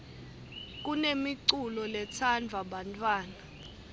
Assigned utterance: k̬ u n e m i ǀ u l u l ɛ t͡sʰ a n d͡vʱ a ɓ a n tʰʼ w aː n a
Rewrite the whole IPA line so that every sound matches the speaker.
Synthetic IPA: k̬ u n e m i ǀ u l ɔ l ɛ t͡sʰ a n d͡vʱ a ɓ a n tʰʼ w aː n a